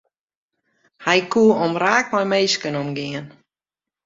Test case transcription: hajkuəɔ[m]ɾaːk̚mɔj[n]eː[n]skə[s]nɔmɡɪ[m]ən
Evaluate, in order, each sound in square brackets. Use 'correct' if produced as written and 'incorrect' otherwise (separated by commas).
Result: correct, incorrect, incorrect, incorrect, incorrect